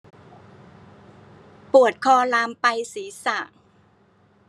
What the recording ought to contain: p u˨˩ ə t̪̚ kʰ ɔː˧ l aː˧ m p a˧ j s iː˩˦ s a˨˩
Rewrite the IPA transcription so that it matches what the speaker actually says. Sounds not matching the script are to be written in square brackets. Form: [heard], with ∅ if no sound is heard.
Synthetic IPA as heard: p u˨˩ ə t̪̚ kʰ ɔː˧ l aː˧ m p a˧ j s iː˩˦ s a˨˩